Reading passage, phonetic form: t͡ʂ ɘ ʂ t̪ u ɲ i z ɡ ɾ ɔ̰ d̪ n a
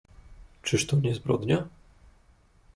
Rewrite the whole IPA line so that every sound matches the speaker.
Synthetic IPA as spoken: t͡ʂ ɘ ʂ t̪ ɔ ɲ ɛ z b ɾ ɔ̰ d̪ ɲ a